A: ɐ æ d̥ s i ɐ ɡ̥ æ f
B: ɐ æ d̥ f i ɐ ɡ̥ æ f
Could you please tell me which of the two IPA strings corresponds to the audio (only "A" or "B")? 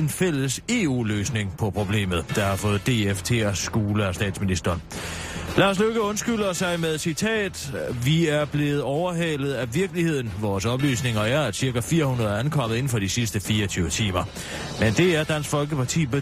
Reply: A